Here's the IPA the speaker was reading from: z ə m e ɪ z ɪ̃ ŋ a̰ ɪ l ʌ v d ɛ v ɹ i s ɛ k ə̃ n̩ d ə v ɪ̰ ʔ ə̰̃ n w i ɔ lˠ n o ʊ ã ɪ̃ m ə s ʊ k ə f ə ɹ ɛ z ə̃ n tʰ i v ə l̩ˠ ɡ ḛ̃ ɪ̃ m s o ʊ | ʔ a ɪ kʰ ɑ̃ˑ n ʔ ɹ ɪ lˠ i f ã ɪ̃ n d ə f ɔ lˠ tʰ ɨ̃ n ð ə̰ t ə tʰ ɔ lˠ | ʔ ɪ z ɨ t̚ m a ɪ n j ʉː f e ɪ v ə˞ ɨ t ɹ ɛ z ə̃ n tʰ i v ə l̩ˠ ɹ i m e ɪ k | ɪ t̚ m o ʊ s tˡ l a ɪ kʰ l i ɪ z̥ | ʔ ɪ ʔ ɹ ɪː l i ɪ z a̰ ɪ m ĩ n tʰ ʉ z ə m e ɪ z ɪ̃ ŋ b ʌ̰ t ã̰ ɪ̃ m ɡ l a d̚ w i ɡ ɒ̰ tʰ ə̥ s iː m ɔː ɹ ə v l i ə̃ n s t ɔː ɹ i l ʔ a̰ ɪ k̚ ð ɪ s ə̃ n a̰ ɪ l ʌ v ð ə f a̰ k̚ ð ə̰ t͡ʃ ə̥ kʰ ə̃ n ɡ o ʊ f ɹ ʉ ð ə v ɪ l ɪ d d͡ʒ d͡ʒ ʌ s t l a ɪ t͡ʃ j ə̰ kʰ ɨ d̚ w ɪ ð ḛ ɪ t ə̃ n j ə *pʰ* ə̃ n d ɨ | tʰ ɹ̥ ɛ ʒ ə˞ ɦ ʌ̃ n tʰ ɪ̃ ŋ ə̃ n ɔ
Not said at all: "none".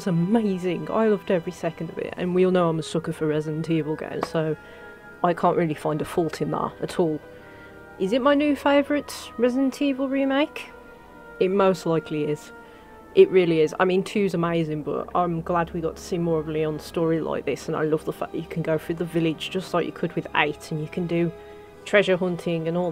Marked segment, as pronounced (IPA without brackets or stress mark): kʰ